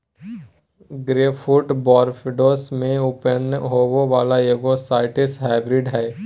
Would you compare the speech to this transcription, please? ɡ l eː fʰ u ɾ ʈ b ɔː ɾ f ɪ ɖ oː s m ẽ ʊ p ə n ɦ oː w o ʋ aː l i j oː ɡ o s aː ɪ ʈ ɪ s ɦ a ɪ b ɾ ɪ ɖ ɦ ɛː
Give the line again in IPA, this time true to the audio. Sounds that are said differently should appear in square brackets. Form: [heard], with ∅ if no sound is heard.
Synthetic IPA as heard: ɡ [ɾ] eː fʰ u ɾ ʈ b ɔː ɾ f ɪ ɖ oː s m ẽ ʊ p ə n ɦ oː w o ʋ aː l [a] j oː ɡ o s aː ɪ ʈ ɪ s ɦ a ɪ b ɾ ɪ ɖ ɦ ɛː